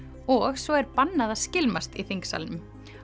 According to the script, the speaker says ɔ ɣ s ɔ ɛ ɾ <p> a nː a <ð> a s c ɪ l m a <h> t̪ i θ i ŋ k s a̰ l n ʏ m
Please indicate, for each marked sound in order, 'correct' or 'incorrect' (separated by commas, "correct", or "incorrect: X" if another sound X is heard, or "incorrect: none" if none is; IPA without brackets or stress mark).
correct, correct, incorrect: s